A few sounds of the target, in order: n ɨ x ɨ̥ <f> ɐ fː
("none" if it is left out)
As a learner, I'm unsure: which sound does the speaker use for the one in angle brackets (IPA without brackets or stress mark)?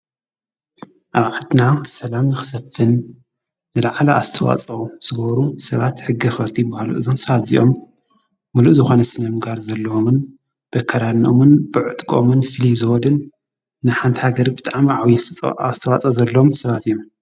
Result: s